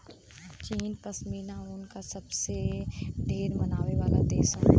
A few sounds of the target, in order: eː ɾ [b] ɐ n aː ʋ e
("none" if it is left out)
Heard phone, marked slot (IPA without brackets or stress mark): m